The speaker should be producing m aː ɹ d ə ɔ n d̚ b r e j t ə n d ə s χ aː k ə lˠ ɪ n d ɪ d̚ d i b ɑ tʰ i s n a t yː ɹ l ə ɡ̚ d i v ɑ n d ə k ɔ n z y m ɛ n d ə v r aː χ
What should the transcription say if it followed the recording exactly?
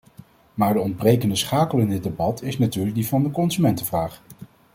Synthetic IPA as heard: m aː ɹ d ə ɔ n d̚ b r e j k ə n d ə s χ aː k ə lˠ ɪ n d ɪ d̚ d e b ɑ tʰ ɪ s n a t yː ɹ l ə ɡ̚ d i v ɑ n d ə k ɔ n z y m ɛ n t ə v r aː χ